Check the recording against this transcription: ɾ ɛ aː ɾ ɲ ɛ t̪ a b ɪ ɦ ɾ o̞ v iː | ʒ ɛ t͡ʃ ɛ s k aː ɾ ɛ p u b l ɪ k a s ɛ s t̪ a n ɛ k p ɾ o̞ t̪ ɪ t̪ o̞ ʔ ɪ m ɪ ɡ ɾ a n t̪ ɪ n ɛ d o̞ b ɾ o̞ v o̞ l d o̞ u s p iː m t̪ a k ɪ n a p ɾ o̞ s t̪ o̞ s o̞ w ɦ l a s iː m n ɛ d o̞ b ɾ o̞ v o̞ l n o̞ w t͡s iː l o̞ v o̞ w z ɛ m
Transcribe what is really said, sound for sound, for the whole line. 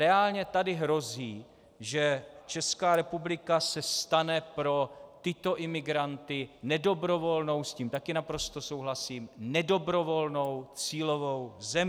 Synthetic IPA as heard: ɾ ɛ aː l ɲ ɛ t̪ a d ɪ ɦ ɾ o̞ z iː | ʒ ɛ t͡ʃ ɛ s k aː ɾ ɛ p u b l ɪ k a s ɛ s t̪ a n ɛ p ɾ o̞ t̪ ɪ t̪ o̞ ʔ ɪ m ɪ ɡ ɾ a n t̪ ɪ n ɛ d o̞ b ɾ o̞ v o̞ l n o̞ w s c iː m t̪ a k ɪ n a p ɾ o̞ s t̪ o̞ s o̞ w ɦ l a s iː m n ɛ d o̞ b ɾ o̞ v o̞ l n o̞ w t͡s iː l o̞ v o̞ w z ɛ m

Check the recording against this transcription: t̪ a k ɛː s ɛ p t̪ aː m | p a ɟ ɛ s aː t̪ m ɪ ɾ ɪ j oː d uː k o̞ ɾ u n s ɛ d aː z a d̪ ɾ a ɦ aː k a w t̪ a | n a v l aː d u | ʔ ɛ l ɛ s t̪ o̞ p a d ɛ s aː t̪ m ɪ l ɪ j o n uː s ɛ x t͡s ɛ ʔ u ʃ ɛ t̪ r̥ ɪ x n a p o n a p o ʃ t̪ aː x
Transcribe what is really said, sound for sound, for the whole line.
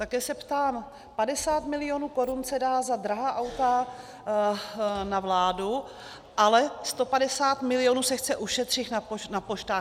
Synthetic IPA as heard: t̪ a k ɛː s ɛ p t̪ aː m | p a d ɛ s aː t̪ m ɪ l ɪ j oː n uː k o̞ ɾ u n s ɛ d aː z a d̪ ɾ a ɦ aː ʔ a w t̪ a | n a v l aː d u | ʔ a l ɛ s t̪ o̞ p a d ɛ s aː t̪ m ɪ l ɪ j o n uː s ɛ x t͡s ɛ ʔ u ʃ ɛ t̪ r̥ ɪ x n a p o n a p o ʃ t̪ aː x

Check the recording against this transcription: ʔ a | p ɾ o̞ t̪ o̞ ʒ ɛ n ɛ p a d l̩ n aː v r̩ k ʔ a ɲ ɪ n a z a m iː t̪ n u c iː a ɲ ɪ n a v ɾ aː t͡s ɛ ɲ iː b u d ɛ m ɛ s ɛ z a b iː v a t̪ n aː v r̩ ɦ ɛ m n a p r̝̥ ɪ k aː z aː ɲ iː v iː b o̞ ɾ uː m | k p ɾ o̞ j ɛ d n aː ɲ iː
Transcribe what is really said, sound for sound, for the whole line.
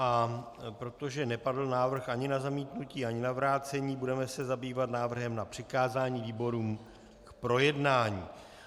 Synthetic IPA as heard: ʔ a | p ɾ o̞ t̪ o̞ ʒ ɛ n ɛ p a d l̩ n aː v r̩ x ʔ a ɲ ɪ n a z a m iː t̪ n u c iː a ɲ ɪ n a v ɾ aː t͡s ɛ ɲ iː b u d ɛ m ɛ s ɛ z a b iː v a t̪ n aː v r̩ ɦ ɛ m n a p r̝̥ ɪ k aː z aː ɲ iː v iː b o̞ ɾ uː m | k p ɾ o̞ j ɛ d n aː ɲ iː

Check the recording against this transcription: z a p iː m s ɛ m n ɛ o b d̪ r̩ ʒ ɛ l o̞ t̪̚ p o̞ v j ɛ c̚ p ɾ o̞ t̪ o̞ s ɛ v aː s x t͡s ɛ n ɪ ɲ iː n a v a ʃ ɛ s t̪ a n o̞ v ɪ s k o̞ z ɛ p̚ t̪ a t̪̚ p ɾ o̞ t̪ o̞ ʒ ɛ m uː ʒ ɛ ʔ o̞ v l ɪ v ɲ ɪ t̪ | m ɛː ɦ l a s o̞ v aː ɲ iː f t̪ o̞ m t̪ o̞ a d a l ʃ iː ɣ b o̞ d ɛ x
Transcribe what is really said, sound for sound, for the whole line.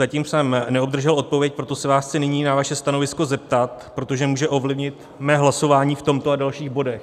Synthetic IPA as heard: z a c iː m s ɛ m n ɛ o b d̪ r̩ ʒ ɛ l o̞ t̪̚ p o̞ v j ɛ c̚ p ɾ o̞ t̪ o̞ s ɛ v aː s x t͡s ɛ n ɪ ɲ iː n a v a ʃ ɛ s t̪ a n o̞ v ɪ s k o̞ z ɛ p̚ t̪ a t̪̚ p ɾ o̞ t̪ o̞ ʒ ɛ m uː ʒ ɛ ʔ o̞ v l ɪ v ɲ ɪ t̪ | m ɛː ɦ l a s o̞ v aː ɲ iː f t̪ o̞ m t̪ o̞ a d a l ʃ iː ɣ b o̞ d ɛ x

